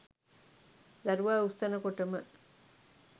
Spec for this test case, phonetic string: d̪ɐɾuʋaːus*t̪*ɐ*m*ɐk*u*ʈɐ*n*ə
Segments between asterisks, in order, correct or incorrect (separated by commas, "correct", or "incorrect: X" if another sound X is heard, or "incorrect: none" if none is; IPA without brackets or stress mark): correct, incorrect: n, incorrect: o, incorrect: m